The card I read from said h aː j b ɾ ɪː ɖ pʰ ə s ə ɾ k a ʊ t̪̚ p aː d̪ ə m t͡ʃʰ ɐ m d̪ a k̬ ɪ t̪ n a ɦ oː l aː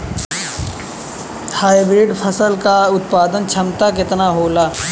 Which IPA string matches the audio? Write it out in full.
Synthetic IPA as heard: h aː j b ɾ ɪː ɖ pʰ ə s ə l k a ʊ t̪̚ p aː d̪ ə n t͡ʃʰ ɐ m t̪ a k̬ ɪ t̪ n a ɦ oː l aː